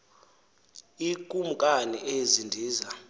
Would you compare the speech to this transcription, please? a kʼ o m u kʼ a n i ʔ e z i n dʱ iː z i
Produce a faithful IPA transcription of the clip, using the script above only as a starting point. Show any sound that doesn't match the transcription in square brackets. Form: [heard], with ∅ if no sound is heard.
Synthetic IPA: [i] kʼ [u] m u kʼ a n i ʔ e z i n dʱ iː z [a]